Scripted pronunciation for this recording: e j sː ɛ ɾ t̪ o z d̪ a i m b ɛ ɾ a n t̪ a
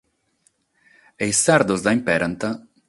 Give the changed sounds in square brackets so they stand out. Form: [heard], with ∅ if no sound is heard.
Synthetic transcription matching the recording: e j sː [a] ɾ [d̪] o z d̪ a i m [p] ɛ ɾ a n t̪ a